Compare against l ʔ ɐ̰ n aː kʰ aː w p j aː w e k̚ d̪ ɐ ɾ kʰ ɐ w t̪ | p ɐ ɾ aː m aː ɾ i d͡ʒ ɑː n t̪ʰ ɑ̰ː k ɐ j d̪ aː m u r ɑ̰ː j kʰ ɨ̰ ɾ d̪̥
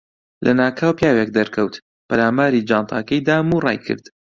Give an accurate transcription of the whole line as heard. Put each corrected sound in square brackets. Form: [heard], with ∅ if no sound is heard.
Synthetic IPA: l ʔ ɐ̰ n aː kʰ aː w p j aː w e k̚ d̪ ɐ ɾ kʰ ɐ w t̪ | p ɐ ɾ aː m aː ɾ i d͡ʒ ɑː n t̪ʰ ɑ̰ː k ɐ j d̪ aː m u r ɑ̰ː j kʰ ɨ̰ ɾ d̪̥